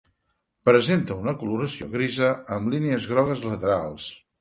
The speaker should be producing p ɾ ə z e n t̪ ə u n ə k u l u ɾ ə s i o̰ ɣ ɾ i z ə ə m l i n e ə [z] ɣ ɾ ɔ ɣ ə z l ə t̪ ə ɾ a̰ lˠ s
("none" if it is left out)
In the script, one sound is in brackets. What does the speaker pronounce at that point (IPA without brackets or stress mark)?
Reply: z